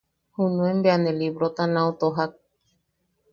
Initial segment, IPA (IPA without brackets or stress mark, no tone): h